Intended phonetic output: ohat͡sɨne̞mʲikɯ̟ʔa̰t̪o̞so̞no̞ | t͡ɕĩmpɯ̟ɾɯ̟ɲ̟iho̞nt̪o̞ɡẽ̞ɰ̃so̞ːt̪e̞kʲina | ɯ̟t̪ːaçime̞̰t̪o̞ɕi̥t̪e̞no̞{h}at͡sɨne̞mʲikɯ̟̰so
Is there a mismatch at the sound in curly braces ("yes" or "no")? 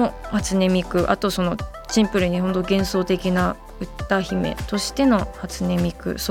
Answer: no